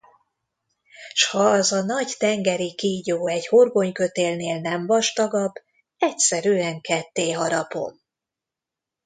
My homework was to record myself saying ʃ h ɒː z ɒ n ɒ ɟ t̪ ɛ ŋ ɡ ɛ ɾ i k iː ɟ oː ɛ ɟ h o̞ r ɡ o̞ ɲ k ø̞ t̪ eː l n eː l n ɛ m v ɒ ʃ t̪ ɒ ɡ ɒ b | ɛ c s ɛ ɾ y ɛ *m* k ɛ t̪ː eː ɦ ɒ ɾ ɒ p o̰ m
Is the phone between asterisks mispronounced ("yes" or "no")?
yes